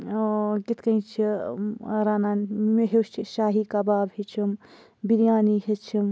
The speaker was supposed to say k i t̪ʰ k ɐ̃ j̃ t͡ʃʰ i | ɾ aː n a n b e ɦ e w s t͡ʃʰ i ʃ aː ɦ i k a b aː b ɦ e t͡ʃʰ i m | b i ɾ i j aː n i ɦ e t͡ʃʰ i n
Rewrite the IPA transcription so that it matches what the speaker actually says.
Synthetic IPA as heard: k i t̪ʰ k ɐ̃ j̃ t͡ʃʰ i | ɾ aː n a n m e ɦ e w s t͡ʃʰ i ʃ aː ɦ i k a b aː b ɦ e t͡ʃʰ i m | b i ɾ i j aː n i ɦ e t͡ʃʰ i m